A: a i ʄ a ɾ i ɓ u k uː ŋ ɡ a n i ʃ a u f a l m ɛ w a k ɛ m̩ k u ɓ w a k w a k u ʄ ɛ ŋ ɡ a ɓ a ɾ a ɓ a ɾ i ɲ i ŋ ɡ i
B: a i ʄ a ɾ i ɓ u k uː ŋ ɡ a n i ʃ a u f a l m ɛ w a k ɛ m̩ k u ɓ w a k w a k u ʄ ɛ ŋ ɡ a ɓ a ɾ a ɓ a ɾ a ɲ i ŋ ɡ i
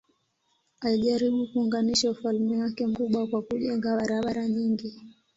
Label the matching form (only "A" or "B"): B